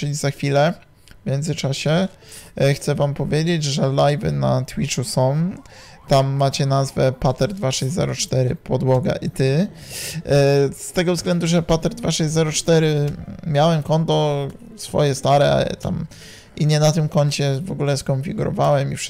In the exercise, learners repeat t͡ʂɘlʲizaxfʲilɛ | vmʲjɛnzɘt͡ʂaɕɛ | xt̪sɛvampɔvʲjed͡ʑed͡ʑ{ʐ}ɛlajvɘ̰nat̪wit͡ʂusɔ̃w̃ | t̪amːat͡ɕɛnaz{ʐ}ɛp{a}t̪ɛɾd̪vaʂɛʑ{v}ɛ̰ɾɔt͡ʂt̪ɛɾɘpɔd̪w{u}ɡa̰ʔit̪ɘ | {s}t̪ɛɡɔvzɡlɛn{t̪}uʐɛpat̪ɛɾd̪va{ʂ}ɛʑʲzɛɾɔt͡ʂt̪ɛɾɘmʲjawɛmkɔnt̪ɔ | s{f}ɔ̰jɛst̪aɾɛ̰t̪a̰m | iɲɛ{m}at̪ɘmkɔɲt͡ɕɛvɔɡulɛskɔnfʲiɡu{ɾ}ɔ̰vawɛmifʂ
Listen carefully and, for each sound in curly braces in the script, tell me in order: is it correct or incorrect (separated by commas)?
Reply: correct, incorrect, correct, incorrect, incorrect, correct, incorrect, correct, correct, incorrect, correct